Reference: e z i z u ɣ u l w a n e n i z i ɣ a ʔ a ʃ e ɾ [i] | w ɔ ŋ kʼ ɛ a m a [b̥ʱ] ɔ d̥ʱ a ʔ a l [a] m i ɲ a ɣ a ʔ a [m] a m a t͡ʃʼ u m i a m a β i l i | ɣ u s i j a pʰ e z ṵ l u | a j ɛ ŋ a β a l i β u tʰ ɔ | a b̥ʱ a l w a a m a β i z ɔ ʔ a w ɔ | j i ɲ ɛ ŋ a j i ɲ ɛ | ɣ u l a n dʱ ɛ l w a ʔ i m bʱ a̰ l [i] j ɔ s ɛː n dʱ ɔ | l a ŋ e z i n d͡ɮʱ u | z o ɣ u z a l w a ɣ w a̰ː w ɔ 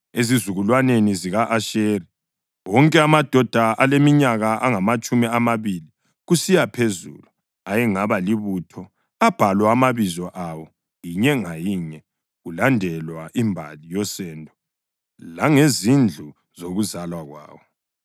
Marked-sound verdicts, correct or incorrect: correct, incorrect, incorrect, incorrect, correct

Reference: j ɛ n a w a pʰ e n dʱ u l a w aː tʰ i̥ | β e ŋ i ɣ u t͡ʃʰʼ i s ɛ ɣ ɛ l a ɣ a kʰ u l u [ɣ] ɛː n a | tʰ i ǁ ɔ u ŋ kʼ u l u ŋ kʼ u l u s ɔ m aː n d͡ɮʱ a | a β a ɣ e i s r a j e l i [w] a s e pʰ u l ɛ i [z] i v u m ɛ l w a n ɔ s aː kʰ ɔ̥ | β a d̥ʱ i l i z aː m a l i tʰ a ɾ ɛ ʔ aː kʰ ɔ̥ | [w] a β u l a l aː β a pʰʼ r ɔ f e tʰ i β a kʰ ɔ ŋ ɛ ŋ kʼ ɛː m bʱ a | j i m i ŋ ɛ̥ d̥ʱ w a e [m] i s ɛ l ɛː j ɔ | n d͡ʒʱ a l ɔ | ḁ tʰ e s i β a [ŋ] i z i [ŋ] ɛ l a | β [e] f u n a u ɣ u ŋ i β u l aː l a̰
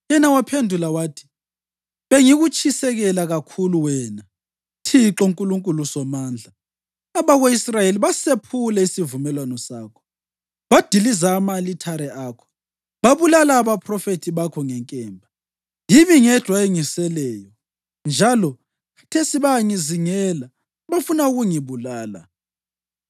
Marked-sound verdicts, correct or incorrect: incorrect, incorrect, incorrect, incorrect, incorrect, correct, correct, incorrect

